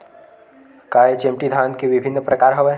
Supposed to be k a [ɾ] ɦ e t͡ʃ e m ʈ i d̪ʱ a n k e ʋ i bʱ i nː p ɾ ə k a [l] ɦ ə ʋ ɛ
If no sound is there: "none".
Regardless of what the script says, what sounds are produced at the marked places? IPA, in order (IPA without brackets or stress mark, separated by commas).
none, ɾ